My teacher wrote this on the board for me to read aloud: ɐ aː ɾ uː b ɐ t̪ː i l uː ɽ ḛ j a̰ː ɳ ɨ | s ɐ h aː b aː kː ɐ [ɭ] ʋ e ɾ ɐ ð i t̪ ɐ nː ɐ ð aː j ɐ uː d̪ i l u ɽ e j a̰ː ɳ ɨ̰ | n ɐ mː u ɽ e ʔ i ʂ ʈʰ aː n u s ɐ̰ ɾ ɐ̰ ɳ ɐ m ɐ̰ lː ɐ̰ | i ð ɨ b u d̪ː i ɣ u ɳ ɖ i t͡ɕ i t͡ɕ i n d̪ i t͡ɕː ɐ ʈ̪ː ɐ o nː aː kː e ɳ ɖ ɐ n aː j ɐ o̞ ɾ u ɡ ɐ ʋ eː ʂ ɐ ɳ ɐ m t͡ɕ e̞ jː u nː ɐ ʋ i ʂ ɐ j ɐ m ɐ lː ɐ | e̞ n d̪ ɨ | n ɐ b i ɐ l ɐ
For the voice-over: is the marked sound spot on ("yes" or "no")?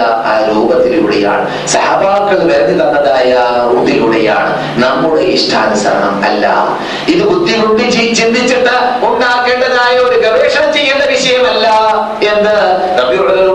yes